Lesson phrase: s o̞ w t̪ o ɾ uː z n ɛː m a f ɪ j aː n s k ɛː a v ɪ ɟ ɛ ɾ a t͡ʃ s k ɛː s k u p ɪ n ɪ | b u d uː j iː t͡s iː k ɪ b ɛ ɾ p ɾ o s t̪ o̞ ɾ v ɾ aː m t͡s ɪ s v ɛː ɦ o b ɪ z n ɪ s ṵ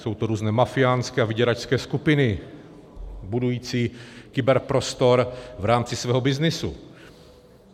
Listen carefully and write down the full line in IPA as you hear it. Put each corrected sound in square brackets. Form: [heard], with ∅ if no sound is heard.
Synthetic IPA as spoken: s o̞ w t̪ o ɾ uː z n ɛː m a f ɪ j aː n s k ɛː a v ɪ ɟ ɛ ɾ a t͡ʃ s k ɛː s k u p ɪ n ɪ | b u d [u] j iː t͡s iː k ɪ b ɛ ɾ p ɾ o s t̪ o̞ ɾ v ɾ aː m t͡s ɪ s v ɛː ɦ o b ɪ z n ɪ s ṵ